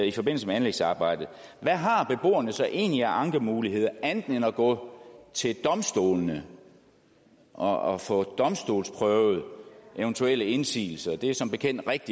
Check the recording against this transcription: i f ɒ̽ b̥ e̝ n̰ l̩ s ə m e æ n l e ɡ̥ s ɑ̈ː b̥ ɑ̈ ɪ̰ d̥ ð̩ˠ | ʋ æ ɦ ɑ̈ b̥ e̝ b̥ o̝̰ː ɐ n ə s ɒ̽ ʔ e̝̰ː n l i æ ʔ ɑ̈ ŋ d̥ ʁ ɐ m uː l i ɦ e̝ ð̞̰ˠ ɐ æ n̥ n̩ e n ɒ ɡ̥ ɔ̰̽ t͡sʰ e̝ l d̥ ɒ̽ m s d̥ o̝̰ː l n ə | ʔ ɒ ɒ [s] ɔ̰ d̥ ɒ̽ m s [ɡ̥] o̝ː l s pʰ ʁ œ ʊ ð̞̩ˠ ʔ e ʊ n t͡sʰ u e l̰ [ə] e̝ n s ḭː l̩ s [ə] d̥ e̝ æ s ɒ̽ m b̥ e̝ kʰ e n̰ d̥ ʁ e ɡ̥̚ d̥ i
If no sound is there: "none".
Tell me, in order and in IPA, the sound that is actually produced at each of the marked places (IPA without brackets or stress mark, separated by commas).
f, d̥, ə, ɐ